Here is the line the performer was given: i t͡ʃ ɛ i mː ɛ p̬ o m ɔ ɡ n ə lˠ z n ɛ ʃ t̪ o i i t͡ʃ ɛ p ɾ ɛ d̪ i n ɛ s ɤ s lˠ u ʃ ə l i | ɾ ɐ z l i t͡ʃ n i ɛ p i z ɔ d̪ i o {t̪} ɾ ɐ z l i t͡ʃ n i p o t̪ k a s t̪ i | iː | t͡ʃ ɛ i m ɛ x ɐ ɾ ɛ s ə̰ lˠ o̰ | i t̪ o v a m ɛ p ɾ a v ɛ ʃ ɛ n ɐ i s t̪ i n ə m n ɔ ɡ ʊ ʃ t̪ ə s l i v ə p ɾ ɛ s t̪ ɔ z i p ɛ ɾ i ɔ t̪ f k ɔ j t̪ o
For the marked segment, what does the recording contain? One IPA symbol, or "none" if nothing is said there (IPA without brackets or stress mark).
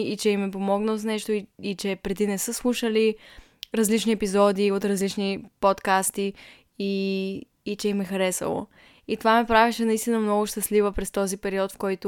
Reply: t̪